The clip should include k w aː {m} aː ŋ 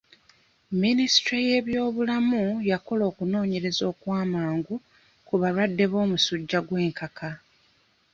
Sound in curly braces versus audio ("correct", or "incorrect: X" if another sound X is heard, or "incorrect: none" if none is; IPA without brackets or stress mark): correct